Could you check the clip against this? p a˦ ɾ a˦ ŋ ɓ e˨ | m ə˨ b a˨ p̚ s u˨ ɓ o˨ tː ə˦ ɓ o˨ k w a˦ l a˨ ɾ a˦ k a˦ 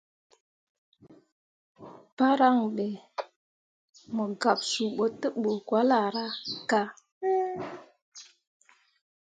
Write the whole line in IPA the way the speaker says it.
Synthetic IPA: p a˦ ɾ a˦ ŋ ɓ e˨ | m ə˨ ɡ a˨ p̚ s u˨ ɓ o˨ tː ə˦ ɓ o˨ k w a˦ l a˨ ɾ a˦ k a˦